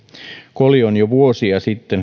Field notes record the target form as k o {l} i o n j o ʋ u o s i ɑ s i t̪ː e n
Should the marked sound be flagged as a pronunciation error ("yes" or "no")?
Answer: no